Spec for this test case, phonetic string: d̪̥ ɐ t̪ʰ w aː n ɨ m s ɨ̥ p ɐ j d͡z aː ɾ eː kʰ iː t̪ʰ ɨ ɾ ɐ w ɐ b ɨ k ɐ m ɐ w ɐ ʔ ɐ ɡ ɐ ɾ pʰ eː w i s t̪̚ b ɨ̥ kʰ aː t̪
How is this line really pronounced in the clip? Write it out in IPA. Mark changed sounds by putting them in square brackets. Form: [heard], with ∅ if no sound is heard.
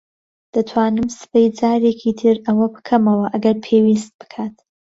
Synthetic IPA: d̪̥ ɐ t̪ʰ w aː n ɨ m s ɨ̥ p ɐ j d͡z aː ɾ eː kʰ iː t̪ʰ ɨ ɾ ɐ w ɐ b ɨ [kʰ] ɐ m ɐ w ɐ ʔ ɐ ɡ ɐ ɾ pʰ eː w i s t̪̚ b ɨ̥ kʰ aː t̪